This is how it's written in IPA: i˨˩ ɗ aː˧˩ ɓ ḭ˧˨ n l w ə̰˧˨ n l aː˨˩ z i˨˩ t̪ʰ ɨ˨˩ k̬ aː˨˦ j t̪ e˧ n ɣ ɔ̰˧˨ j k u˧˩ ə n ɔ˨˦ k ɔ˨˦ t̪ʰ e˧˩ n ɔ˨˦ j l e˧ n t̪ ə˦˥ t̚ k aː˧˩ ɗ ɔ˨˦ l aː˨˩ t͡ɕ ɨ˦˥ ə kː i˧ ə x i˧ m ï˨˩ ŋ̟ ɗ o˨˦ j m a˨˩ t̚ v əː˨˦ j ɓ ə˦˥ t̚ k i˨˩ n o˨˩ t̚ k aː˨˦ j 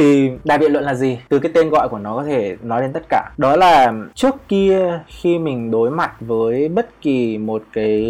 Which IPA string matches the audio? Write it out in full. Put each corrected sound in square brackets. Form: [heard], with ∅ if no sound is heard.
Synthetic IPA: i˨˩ ɗ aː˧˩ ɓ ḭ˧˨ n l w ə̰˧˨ n l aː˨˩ z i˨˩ [t̪] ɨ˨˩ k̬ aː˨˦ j t̪ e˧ n ɣ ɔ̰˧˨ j k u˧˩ ə n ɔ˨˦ k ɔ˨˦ t̪ʰ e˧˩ n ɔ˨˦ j l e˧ n t̪ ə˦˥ t̚ k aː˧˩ ɗ ɔ˨˦ l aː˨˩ t͡ɕ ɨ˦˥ ə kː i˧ ə x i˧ m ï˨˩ ŋ̟ ɗ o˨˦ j m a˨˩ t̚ v əː˨˦ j ɓ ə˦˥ t̚ k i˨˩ [m] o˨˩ t̚ k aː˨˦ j